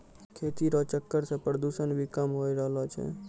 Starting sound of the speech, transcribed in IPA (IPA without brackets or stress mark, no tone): kʰ